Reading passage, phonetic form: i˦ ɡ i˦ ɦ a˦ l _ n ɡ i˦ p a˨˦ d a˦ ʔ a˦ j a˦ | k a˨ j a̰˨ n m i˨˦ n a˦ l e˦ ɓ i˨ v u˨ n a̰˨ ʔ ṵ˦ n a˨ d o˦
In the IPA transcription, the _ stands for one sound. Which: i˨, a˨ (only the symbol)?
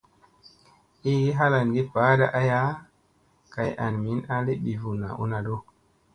a˨